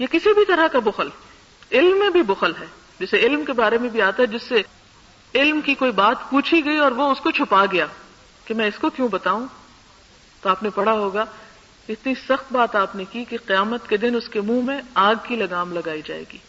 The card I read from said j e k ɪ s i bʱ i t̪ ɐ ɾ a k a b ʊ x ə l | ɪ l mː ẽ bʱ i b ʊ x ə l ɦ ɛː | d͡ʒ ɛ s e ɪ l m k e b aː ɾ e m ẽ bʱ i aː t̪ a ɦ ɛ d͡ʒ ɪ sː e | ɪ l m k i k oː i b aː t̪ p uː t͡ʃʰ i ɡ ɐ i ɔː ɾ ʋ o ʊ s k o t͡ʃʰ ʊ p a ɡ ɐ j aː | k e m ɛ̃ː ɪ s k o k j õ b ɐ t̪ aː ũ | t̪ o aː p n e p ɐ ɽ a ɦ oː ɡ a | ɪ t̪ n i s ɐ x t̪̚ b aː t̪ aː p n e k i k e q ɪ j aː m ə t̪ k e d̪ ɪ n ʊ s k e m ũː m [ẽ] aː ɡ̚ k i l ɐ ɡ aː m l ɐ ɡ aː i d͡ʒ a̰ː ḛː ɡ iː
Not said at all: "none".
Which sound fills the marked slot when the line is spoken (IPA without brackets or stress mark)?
ẽ